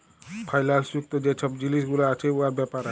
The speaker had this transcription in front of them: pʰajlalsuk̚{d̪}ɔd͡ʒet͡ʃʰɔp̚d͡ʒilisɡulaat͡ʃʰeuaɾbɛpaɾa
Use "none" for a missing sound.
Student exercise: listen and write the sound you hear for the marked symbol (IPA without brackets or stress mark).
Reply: t̪